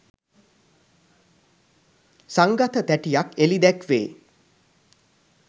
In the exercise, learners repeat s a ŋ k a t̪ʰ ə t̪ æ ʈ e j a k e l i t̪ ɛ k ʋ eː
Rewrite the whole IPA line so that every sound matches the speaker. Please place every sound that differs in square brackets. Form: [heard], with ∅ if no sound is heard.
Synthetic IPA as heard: s a ŋ [ɡ] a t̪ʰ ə t̪ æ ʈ [i] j a k e l i [d̪] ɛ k ʋ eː